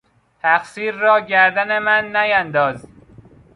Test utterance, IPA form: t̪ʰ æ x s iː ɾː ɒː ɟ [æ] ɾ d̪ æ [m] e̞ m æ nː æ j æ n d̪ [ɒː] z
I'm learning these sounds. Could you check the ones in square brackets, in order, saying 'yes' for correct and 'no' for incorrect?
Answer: yes, no, yes

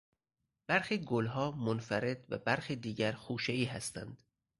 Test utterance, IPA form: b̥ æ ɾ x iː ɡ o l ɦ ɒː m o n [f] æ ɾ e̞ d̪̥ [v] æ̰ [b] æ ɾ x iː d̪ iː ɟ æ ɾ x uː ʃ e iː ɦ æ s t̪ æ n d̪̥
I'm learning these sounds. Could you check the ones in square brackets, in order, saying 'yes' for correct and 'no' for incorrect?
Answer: yes, yes, yes

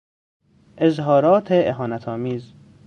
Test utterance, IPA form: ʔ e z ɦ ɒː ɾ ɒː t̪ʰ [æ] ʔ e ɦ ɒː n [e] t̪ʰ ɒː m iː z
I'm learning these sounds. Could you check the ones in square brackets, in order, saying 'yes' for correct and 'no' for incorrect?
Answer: no, no

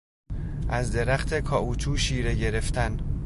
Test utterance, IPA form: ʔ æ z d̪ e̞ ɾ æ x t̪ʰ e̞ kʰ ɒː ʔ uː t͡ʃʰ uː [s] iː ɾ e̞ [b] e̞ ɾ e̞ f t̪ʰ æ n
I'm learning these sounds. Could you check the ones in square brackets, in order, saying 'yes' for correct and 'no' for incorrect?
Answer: no, no

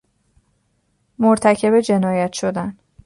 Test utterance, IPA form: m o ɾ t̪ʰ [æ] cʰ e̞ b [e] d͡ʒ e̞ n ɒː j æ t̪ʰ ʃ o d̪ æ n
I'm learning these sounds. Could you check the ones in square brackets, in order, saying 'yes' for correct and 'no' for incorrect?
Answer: yes, yes

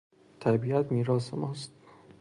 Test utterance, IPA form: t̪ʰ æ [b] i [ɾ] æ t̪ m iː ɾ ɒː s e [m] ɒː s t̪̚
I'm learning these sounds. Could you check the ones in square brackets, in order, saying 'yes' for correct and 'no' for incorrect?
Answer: yes, no, yes

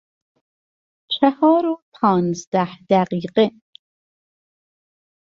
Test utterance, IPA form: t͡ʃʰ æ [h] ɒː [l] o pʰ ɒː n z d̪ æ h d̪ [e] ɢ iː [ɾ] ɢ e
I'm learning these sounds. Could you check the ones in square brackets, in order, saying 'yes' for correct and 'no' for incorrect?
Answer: yes, no, no, no

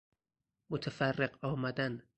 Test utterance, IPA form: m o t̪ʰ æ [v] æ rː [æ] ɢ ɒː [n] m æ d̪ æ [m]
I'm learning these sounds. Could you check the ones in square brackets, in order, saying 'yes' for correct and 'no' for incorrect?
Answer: no, no, no, no

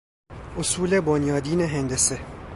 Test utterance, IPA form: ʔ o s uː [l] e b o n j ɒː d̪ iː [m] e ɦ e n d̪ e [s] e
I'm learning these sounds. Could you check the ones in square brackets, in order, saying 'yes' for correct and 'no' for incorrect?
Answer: yes, no, yes

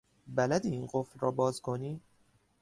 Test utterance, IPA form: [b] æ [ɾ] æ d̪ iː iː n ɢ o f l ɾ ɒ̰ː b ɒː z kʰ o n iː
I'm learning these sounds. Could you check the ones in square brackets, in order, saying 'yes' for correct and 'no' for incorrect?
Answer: yes, no

